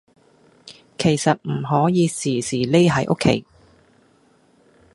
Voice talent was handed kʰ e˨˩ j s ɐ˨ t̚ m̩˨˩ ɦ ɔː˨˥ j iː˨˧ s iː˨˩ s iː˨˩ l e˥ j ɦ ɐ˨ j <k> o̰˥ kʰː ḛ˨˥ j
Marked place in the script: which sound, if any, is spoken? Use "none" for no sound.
ʔ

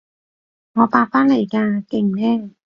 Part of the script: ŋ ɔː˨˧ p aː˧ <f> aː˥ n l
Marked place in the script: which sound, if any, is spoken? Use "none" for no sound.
f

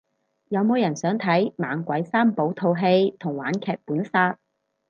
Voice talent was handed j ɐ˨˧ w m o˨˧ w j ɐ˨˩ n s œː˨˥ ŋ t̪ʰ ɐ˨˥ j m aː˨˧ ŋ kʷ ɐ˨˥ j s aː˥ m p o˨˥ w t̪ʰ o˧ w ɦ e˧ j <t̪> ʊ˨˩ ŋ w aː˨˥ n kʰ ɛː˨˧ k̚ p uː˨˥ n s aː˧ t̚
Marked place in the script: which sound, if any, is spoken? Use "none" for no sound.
t̪ʰ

